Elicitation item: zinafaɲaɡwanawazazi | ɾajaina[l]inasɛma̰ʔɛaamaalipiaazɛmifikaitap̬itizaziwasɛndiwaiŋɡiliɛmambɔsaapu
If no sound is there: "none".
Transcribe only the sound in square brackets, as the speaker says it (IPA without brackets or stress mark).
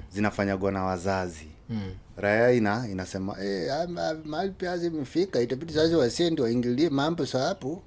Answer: none